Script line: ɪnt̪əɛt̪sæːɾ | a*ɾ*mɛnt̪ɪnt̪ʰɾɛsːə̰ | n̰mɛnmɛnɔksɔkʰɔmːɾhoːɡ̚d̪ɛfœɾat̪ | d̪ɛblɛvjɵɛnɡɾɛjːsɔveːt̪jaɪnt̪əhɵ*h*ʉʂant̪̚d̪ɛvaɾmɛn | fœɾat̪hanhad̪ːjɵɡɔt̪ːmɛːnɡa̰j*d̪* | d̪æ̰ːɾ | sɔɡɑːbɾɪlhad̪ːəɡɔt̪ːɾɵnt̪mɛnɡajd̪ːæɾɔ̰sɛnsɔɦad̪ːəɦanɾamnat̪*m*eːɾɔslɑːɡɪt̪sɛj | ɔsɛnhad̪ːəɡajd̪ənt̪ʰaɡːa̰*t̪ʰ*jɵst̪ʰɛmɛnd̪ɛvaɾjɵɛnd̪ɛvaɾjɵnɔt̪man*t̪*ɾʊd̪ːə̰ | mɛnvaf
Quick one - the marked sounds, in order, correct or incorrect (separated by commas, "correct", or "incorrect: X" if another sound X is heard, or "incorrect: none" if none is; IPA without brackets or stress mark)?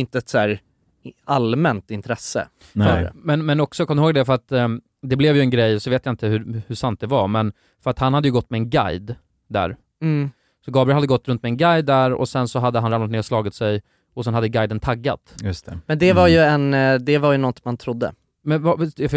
incorrect: l, correct, correct, incorrect: n, incorrect: t̪, incorrect: t̪ʰ